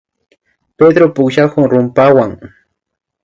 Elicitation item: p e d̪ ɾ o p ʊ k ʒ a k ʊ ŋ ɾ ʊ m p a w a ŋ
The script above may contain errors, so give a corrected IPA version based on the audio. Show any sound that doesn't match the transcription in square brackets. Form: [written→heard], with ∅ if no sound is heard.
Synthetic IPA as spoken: p e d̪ ɾ o p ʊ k [ʒ→ʃ] a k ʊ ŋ ɾ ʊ m p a w a ŋ